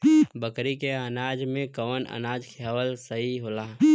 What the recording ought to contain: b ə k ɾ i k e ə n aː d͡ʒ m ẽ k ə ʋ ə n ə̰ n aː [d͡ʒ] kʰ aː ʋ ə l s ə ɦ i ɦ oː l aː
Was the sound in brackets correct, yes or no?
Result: yes